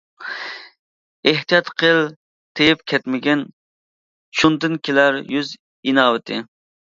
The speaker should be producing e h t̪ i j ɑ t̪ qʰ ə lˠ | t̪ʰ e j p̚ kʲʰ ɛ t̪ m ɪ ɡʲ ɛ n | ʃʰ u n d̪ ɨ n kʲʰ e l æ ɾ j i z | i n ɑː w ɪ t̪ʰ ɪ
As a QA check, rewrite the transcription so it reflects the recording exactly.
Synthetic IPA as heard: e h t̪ i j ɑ t̪ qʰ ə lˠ | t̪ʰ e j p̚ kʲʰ ɛ t̪ m ɪ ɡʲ ɛ n | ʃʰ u n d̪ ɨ n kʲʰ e l æ ɾ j y z | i n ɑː w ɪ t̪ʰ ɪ